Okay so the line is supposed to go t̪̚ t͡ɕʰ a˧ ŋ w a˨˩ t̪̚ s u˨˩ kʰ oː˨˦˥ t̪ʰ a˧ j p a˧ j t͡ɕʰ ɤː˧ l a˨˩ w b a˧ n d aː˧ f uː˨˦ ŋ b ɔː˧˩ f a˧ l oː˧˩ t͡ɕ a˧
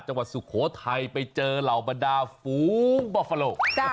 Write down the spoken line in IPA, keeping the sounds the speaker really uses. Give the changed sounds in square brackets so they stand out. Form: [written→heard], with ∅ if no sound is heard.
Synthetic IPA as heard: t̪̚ [t͡ɕʰ→t͡ɕ] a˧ ŋ w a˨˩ t̪̚ s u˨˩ kʰ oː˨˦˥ t̪ʰ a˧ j p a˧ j [t͡ɕʰ→t͡ɕ] ɤː˧ l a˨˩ w b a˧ n d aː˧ f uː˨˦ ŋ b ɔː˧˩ f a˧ l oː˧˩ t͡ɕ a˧